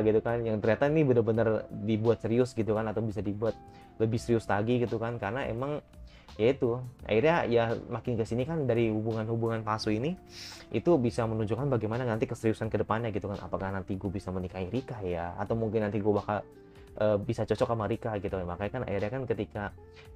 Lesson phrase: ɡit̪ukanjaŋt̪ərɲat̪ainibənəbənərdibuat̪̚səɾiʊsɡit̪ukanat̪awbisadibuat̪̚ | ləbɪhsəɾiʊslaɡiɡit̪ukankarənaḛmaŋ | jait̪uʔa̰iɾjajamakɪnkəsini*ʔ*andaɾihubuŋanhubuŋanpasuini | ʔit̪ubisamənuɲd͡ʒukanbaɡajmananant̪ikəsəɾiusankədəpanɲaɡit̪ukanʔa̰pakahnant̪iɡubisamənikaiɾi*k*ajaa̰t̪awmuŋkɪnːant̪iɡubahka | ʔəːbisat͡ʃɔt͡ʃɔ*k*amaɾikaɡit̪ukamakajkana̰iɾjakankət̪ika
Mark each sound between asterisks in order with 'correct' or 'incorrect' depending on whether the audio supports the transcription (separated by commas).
incorrect, correct, correct